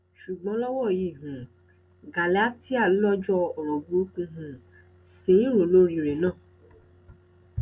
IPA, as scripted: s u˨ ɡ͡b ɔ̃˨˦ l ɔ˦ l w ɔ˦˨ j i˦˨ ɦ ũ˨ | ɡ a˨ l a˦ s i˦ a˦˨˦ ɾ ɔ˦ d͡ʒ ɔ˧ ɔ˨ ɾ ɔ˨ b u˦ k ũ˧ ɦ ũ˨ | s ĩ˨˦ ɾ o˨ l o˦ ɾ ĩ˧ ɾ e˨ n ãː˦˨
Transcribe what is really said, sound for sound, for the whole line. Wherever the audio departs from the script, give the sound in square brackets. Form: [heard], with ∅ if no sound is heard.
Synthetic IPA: [ʃ] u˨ ɡ͡b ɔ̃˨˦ l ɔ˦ [∅] w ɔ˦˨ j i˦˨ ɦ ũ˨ | ɡ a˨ l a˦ [t] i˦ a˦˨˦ [l] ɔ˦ d͡ʒ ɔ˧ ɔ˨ ɾ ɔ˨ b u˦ k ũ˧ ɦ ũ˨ | s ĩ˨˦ ɾ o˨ l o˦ ɾ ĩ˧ ɾ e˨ n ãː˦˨